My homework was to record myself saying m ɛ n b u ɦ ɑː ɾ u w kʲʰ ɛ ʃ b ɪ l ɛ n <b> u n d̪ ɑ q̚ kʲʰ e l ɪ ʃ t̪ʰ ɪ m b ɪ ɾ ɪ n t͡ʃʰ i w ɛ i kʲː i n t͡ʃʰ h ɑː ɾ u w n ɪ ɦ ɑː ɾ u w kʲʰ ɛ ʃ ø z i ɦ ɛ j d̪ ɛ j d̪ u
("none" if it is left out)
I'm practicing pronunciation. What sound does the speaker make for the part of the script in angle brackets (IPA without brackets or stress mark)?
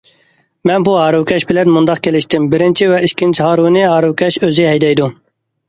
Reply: m